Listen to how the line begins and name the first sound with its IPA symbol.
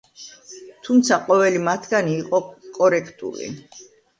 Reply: t̪ʰ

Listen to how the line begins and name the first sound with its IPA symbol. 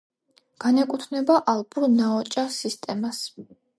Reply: ɡ̥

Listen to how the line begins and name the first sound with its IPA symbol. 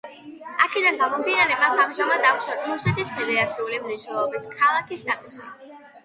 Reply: a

